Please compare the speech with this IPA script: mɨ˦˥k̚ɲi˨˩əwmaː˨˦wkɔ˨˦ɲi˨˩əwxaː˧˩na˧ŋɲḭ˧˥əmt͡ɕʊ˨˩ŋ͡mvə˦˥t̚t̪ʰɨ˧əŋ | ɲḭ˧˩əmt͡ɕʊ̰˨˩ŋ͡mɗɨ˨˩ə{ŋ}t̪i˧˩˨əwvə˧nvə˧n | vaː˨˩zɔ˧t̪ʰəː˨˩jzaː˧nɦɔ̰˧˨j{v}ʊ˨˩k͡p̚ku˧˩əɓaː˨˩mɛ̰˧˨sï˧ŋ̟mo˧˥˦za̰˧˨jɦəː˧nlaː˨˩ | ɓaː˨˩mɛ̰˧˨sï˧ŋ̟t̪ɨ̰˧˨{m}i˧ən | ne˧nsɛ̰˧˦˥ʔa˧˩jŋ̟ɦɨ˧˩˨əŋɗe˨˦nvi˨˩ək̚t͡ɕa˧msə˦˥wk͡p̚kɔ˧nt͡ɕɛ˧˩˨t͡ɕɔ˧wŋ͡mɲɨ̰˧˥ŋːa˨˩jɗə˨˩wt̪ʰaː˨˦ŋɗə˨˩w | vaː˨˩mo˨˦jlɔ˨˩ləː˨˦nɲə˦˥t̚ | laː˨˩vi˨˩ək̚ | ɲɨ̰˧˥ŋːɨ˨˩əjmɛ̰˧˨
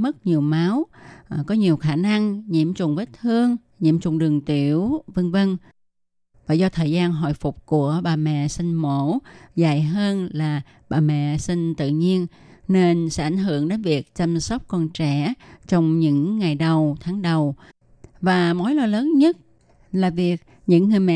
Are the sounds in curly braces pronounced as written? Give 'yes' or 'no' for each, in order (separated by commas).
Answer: yes, no, no